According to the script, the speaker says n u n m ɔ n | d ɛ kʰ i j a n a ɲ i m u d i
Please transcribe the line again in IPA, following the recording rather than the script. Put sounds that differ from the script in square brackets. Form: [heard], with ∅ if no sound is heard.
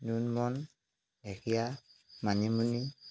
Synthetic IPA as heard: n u n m ɔ n | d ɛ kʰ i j a [m] a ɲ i m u [n] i